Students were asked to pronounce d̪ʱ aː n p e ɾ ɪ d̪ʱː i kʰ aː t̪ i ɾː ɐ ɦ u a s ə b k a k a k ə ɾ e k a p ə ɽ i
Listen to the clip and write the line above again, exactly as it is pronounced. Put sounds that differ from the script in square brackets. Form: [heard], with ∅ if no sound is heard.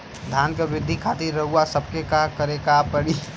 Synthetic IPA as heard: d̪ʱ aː n [k] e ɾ ɪ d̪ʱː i kʰ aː t̪ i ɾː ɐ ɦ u a s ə b k [e] k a k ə ɾ e k a p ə ɽ i